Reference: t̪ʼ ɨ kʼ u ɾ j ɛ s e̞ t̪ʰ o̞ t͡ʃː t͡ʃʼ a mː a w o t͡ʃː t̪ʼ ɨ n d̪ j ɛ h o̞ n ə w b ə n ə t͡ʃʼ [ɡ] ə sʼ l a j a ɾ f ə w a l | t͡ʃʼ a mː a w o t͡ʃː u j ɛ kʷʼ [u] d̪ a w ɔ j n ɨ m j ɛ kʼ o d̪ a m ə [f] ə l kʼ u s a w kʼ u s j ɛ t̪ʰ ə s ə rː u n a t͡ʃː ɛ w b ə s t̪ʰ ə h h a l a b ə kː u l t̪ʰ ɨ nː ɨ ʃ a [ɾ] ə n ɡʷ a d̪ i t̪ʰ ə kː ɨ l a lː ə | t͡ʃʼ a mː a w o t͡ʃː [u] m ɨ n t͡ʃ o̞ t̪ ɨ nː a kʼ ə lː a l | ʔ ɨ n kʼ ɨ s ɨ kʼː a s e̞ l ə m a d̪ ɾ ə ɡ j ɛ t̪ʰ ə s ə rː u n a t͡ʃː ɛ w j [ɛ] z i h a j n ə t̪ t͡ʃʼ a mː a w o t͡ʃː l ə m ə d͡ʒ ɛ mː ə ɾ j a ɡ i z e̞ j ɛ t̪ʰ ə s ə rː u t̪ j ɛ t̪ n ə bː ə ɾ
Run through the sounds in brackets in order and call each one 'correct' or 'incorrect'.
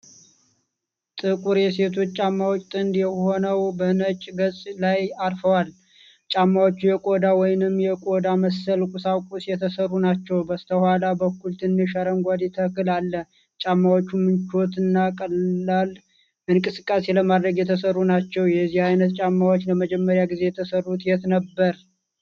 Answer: correct, incorrect: o, incorrect: s, correct, correct, correct

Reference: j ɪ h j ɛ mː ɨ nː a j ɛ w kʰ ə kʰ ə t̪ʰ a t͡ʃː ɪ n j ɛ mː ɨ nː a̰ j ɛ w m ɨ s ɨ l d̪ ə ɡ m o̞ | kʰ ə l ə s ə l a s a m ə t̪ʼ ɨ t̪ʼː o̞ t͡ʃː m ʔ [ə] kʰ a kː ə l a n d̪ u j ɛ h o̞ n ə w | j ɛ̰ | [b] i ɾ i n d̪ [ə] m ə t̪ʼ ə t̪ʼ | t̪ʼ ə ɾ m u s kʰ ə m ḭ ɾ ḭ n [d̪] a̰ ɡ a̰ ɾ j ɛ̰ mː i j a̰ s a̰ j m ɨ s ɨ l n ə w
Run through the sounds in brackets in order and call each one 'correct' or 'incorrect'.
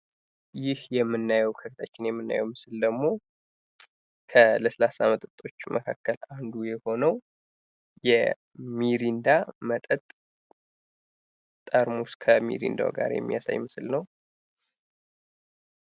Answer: correct, incorrect: m, incorrect: a, correct

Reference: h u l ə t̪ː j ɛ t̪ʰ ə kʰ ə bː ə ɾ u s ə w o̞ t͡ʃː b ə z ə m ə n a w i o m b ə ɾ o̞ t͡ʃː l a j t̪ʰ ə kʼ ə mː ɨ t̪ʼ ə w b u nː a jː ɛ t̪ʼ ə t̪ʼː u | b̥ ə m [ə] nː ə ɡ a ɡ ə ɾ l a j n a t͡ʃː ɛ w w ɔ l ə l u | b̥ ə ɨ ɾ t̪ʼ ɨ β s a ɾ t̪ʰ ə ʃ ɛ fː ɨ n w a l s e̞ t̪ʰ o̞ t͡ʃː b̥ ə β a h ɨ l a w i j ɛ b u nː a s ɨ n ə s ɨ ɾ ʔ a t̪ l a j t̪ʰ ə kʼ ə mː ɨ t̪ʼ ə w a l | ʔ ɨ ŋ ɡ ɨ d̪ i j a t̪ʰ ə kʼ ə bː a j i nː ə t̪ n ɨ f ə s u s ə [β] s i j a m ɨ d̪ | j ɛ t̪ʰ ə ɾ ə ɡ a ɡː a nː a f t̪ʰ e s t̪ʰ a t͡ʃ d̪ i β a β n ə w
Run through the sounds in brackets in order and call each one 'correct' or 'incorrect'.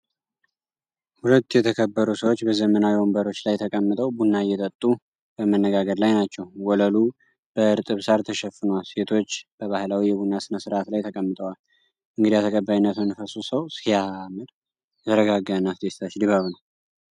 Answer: correct, incorrect: w

